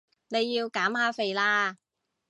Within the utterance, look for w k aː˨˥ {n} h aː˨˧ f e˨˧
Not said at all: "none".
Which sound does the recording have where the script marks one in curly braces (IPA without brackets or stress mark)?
m